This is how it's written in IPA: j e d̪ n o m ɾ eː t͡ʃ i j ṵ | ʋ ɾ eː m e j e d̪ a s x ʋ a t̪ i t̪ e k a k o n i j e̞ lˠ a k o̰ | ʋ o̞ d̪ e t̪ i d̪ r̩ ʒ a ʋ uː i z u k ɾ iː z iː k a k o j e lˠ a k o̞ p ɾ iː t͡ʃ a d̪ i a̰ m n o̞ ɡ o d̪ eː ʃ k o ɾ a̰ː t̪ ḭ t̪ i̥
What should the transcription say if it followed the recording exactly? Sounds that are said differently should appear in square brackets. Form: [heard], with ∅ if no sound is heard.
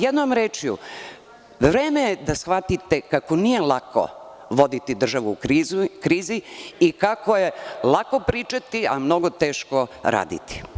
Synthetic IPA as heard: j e d̪ n o m ɾ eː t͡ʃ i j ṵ | ʋ ɾ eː m e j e d̪ a s x ʋ a t̪ i t̪ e k a k o n i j e̞ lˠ a k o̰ | ʋ o̞ d̪ [i] t̪ i d̪ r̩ ʒ a ʋ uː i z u k ɾ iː z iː k a k o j e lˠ a k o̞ p ɾ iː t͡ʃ a [t̪] i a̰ m n o̞ ɡ o [t̪] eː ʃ k o ɾ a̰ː [d̪] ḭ t̪ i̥